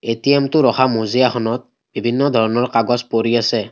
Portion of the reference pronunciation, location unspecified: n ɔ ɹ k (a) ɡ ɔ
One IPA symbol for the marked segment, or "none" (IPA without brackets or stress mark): a